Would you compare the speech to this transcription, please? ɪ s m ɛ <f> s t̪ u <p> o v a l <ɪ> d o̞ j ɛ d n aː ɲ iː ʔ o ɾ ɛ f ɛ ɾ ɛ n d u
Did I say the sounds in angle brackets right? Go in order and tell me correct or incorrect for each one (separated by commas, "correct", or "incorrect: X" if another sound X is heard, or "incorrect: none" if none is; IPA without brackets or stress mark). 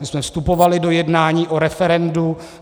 correct, correct, correct